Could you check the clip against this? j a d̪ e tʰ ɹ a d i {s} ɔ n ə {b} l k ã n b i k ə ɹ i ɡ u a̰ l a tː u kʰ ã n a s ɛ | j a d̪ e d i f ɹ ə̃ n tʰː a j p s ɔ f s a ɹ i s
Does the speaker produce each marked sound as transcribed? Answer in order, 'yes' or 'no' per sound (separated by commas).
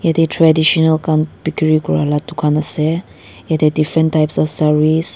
no, no